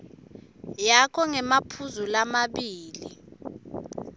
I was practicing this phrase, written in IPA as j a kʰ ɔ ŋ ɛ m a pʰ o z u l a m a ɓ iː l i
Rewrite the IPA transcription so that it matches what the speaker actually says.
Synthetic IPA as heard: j a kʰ ɔ ŋ ɛ m a pʰ u z u l a m a ɓ iː l i